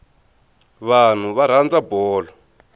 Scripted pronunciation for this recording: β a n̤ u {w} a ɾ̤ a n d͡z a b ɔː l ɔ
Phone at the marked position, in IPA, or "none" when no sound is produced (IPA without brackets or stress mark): β